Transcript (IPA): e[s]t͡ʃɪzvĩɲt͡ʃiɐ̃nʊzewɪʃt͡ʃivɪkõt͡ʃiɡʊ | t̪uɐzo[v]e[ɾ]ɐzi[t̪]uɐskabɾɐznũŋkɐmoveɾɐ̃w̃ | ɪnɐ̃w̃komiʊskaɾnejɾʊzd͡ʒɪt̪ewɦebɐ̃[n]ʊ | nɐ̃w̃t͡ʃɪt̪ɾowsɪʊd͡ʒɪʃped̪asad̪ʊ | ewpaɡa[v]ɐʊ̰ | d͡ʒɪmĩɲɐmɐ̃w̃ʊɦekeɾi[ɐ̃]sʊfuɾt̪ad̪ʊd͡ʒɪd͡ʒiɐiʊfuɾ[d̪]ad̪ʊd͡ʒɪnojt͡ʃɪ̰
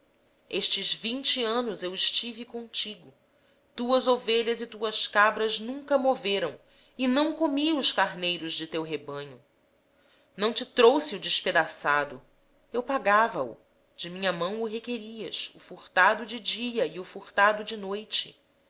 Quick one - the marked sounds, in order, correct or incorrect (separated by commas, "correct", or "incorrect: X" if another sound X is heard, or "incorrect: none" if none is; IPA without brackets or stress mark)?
incorrect: ʃ, correct, incorrect: ʎ, correct, incorrect: ɲ, correct, incorrect: ɐ, incorrect: t̪